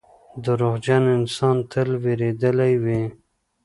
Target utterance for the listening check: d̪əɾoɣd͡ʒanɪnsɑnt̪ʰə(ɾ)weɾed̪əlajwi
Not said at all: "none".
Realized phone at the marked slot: l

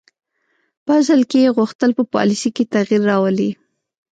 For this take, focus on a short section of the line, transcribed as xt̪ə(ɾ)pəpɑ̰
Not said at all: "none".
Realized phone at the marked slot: l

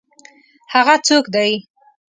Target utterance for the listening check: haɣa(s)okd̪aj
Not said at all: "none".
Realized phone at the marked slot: t͡s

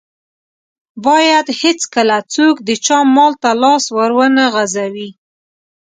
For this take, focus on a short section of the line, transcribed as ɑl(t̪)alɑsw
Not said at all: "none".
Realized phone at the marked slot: t̪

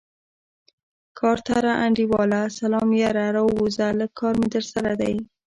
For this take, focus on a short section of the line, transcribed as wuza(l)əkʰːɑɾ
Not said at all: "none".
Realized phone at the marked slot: l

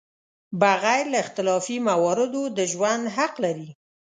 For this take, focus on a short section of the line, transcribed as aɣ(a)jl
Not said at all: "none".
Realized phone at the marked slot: a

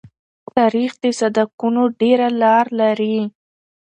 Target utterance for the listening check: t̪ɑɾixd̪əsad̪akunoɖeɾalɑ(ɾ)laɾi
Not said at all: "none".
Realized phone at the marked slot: ɾ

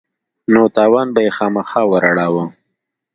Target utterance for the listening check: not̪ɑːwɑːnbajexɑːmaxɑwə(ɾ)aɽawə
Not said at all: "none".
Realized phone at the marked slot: ɾ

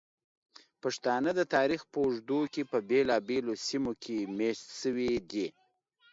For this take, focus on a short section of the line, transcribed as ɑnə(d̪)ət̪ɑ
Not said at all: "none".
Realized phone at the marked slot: d̪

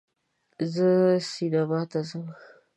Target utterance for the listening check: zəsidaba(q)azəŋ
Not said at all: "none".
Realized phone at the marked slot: t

